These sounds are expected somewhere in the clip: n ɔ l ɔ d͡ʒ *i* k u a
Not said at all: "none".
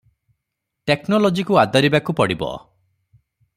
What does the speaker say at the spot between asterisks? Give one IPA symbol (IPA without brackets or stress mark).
i